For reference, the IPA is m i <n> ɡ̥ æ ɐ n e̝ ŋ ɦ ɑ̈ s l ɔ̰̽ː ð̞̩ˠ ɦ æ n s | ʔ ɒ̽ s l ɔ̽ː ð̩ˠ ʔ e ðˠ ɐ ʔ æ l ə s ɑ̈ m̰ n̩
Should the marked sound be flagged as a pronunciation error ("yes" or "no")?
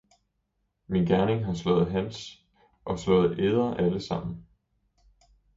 no